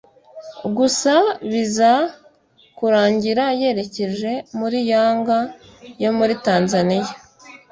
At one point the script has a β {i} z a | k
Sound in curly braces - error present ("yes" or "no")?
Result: no